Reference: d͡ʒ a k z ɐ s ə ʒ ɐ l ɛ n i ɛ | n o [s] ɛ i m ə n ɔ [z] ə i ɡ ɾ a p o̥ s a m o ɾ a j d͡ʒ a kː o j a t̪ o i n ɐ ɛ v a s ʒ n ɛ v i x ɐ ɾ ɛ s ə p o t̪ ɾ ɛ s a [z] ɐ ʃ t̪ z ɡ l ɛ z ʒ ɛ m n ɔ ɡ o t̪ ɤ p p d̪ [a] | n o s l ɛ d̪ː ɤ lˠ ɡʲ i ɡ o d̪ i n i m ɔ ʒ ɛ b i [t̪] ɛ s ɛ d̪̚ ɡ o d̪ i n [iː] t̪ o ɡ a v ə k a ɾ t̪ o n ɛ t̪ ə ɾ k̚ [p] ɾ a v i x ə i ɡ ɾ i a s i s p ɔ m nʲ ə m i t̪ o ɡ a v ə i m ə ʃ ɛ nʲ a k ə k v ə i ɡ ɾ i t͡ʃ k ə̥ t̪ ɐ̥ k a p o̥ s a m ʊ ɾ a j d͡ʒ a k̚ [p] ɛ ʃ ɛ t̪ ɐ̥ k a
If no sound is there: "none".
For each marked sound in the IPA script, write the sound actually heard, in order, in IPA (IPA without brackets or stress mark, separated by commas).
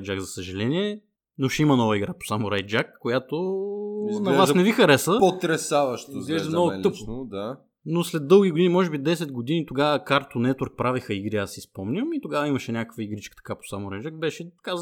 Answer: ʃ, v, v, a, d̪, i, p, b